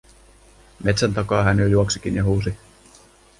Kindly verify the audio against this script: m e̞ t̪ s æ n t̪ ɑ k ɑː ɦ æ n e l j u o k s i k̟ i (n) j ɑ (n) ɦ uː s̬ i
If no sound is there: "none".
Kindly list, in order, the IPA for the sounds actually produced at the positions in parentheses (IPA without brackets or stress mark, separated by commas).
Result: n, none